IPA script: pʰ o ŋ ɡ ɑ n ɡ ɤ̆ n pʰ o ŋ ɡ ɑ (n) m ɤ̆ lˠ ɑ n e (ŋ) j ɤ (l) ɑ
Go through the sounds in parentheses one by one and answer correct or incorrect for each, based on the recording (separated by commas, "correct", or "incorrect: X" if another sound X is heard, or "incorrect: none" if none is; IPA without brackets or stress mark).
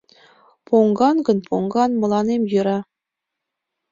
correct, incorrect: m, incorrect: ɾ